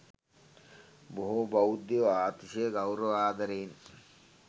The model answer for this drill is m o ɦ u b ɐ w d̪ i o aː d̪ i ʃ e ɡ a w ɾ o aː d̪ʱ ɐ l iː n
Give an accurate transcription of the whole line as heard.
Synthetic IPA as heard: b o ɦ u b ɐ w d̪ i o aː t̪ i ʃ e ɡ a w ɾ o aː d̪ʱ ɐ ɾ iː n